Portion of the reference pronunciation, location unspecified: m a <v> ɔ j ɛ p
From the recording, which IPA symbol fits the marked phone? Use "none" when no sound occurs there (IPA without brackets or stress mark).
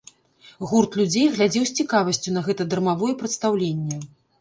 v